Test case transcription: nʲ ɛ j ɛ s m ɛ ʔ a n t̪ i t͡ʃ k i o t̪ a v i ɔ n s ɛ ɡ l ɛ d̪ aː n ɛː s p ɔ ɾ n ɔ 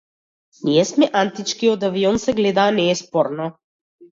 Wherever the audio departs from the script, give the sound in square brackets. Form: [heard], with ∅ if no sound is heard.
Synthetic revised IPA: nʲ [i] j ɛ s m ɛ ʔ a n t̪ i t͡ʃ k i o [d̪] a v i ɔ n s ɛ ɡ l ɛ d̪ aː n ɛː s p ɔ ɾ n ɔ